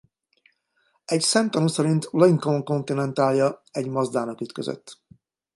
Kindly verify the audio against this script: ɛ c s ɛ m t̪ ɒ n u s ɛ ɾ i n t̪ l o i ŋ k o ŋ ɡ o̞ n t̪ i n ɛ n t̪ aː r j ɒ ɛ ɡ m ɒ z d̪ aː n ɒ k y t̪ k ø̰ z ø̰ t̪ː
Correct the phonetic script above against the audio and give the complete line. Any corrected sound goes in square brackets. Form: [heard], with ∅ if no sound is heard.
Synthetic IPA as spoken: ɛ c s ɛ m t̪ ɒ n u s ɛ ɾ i n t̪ l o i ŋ k o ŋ [k] o̞ n t̪ i n ɛ n t̪ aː [l] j ɒ ɛ [ɟ] m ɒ z d̪ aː n ɒ k y t̪ k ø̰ z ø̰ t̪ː